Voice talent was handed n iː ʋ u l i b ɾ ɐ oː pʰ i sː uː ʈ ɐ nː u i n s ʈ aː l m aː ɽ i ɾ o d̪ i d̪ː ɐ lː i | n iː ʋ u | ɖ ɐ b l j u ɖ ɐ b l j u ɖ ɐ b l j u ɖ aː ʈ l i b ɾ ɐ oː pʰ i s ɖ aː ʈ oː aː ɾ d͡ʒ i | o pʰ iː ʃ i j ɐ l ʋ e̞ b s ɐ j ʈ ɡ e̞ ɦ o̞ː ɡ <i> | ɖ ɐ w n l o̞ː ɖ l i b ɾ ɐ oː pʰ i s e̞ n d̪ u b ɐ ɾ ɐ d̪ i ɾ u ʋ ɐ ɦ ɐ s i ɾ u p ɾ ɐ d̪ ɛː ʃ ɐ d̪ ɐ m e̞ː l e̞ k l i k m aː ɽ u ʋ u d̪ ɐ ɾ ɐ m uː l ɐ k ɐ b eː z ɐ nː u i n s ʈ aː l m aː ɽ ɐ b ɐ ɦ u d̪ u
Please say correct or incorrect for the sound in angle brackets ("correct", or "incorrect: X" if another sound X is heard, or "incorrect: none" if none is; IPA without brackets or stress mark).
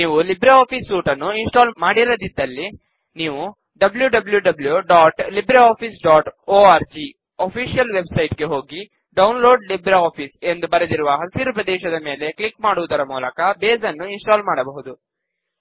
correct